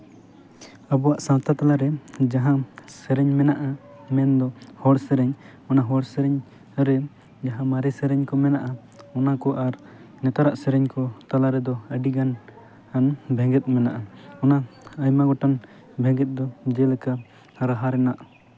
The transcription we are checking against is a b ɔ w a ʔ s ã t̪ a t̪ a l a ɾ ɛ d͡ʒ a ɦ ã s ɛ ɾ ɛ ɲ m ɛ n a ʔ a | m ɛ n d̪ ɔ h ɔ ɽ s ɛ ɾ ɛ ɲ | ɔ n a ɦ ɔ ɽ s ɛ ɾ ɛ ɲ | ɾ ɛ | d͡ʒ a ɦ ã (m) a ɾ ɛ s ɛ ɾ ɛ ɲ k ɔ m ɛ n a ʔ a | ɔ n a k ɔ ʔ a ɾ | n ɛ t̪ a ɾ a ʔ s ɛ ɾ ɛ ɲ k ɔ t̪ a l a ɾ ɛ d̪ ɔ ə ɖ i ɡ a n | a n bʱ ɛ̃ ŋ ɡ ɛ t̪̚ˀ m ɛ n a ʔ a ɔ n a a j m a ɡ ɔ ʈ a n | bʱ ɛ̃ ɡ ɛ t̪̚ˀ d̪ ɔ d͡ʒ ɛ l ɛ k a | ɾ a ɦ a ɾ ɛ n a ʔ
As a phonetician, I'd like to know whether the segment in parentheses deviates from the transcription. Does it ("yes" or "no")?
no